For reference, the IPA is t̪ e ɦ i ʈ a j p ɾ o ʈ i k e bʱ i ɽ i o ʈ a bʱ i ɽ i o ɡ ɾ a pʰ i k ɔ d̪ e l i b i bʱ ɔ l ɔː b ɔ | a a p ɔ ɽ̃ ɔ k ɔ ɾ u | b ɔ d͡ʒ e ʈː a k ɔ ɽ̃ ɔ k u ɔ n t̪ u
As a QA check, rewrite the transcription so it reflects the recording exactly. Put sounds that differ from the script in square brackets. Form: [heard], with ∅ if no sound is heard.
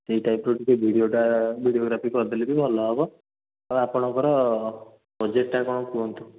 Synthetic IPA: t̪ e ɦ i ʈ a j p ɾ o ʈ i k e bʱ i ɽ i o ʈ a bʱ i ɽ i o ɡ ɾ a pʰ i k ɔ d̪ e l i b i bʱ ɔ l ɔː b ɔ | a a p ɔ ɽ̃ ɔ k ɔ ɾ [ɔ] | b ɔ d͡ʒ e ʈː a k ɔ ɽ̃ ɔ k u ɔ n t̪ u